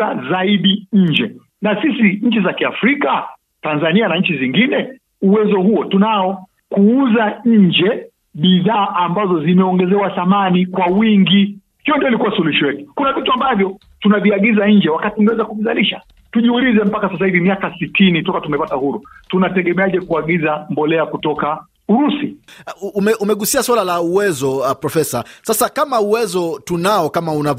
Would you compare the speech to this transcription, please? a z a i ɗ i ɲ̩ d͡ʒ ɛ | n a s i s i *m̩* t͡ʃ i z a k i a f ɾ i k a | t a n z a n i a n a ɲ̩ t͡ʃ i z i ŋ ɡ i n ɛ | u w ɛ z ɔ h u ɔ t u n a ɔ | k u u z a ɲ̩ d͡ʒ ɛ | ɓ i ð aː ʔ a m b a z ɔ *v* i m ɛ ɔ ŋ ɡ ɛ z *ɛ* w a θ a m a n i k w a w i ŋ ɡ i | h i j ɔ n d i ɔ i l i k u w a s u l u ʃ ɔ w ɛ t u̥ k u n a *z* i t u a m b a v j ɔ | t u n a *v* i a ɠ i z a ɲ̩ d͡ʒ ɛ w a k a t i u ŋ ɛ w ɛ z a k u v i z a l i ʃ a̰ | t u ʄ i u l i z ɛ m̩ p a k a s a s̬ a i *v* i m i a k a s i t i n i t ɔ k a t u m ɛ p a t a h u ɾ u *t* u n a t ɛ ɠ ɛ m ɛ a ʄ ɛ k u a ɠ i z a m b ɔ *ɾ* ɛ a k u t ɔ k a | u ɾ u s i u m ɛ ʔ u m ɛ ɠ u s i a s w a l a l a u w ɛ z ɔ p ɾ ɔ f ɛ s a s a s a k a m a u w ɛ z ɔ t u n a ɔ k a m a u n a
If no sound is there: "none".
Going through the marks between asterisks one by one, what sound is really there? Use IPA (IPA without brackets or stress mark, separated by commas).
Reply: ɲ̩, z, ɛ, v, v, v, t, l